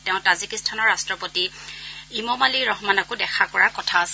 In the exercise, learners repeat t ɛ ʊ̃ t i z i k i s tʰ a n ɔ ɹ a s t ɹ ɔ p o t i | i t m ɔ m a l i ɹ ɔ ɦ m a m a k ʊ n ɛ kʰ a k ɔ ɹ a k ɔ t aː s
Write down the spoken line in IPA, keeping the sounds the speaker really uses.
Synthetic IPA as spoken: t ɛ ʊ̃ t a z i k i s tʰ a n ɔ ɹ a s t ɹ ɔ p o t i | i m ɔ m a l i ɹ ɔ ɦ m a n a k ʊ d ɛ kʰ a k ɔ ɹ a k ɔ tʰ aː s